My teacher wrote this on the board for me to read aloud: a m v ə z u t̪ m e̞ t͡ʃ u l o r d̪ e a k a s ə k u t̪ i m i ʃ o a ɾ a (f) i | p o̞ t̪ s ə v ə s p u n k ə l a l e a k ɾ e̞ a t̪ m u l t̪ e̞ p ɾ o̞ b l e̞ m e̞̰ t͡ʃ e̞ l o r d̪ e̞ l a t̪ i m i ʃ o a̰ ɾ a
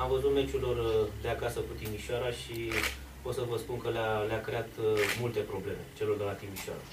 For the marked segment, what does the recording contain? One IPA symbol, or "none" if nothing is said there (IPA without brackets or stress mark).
ʃ